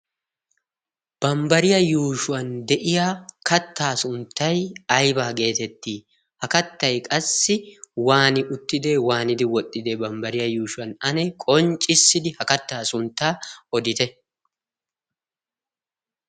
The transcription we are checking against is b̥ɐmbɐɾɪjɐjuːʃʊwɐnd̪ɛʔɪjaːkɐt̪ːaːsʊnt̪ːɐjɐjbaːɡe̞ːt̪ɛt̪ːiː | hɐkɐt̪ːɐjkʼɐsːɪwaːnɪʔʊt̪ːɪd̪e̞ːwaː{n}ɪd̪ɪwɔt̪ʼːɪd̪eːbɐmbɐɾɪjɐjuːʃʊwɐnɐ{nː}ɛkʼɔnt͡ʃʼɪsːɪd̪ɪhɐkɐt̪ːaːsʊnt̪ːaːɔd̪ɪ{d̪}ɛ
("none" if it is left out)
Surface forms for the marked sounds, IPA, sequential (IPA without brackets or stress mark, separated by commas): n, n, t̪